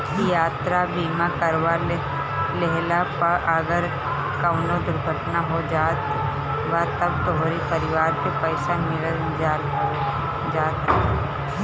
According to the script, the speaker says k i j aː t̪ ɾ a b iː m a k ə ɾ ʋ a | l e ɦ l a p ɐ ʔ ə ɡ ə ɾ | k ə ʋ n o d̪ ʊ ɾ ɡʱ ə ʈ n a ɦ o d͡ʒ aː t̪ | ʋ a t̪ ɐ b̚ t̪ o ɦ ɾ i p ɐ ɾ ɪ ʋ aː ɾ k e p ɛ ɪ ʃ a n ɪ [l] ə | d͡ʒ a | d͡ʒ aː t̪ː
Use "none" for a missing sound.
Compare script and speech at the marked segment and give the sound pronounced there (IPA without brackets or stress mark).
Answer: ɾ